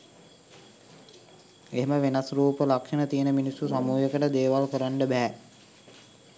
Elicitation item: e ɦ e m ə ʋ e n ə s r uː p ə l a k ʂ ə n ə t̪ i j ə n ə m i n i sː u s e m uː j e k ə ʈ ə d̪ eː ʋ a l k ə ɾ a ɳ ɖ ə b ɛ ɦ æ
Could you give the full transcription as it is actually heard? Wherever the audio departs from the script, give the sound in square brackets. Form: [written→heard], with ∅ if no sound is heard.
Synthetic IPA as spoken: e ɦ e m ə ʋ e n [ə→a] s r uː p ə l a k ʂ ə n ə t̪ i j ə n ə m i n i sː u s [e→a] m uː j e k ə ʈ ə d̪ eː ʋ a l k ə ɾ a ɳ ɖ ə b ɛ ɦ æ